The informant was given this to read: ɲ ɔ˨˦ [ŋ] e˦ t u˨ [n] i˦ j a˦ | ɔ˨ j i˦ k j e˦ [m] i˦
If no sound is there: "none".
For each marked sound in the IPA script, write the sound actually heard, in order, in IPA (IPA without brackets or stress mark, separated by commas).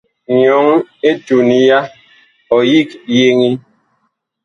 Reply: ŋ, n, ŋ